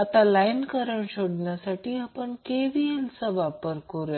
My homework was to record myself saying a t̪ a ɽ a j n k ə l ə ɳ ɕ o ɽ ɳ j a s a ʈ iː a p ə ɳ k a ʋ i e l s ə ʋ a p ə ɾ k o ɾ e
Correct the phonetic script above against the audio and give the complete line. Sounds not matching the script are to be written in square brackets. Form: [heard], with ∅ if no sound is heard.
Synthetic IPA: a t̪ a [l] a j n k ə [ɾ] ə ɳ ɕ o ɽ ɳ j a s a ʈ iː a p ə ɳ k [e] ʋ i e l s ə ʋ a p ə ɾ k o ɾ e